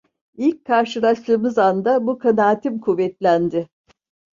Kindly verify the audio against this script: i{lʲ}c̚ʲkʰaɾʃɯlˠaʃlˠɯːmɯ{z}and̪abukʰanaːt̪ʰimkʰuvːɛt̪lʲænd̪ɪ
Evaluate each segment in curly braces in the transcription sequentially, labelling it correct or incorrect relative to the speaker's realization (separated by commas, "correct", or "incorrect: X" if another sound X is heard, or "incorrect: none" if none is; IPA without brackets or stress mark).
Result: correct, correct